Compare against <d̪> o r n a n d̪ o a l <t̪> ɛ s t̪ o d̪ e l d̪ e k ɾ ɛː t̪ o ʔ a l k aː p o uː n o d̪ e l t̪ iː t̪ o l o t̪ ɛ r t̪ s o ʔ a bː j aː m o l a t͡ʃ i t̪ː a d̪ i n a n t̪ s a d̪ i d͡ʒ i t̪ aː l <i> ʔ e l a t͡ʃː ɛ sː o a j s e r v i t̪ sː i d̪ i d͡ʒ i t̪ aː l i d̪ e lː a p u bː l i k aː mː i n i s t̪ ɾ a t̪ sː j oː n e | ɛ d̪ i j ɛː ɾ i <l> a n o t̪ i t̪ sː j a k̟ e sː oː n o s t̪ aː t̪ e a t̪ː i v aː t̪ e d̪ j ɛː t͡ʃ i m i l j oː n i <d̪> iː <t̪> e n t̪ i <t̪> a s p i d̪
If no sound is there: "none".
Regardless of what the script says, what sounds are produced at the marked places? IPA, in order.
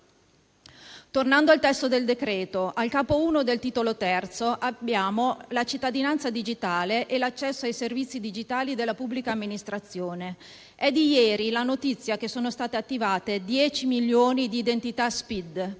t̪, t̪, e, l, d̪, d̪, t̪

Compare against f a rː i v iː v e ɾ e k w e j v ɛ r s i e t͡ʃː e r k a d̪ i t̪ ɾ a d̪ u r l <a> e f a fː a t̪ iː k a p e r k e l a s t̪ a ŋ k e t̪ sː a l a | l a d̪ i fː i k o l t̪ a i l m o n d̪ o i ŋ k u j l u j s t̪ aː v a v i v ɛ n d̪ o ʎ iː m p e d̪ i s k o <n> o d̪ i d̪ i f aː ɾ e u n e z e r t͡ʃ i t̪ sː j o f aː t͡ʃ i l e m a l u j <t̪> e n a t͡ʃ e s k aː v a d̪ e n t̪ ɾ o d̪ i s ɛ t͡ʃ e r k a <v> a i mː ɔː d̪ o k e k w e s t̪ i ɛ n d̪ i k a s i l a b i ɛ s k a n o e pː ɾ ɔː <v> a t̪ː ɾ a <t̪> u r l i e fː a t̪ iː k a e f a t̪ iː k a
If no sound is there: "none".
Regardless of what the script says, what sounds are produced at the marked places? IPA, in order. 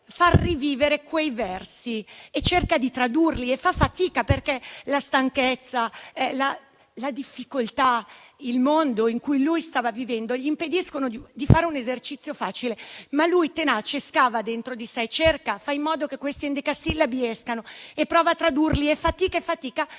i, n, t̪, f, v, d̪

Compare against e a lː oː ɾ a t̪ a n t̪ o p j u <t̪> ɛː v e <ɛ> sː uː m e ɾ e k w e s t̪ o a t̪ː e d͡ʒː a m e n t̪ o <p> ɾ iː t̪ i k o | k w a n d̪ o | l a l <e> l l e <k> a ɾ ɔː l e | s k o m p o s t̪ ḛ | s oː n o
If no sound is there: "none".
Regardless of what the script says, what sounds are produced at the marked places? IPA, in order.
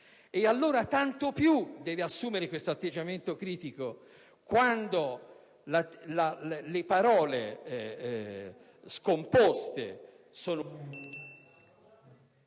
d̪, a, k, a, p

